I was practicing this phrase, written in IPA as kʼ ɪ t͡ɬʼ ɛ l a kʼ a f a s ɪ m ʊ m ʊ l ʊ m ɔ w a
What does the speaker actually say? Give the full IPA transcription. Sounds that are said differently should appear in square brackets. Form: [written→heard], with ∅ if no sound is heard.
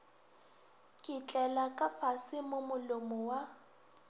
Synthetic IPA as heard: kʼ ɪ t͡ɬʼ ɛ l a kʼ a f a s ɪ m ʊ m ʊ l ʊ m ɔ w a